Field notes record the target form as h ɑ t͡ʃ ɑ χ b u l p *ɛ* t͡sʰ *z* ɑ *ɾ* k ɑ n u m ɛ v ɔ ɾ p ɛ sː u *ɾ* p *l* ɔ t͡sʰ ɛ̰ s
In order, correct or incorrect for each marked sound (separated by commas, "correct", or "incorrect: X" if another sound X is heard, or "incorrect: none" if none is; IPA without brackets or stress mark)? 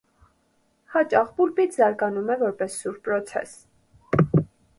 incorrect: i, correct, correct, correct, incorrect: ɾ